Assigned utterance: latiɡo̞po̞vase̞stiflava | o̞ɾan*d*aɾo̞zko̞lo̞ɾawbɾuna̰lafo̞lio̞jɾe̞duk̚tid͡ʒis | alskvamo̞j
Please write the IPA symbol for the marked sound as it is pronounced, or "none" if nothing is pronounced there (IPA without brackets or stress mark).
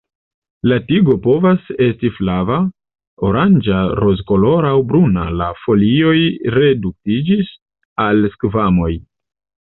d͡ʒ